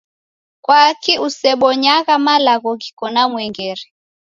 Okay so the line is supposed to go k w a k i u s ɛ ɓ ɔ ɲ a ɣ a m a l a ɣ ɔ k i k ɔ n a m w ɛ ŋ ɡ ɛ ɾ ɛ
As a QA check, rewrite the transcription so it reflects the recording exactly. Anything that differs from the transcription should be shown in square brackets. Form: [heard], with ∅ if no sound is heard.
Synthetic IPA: k w a k i u s ɛ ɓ ɔ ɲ a ɣ a m a l a ɣ ɔ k i k ɔ n a m w ɛ ŋ ɡ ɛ ɾ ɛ